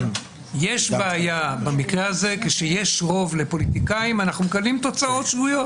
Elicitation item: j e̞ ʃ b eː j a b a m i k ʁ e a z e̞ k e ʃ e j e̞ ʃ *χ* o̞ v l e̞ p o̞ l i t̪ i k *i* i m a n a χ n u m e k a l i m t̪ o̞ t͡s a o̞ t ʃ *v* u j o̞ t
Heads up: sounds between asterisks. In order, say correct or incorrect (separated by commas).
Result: incorrect, incorrect, correct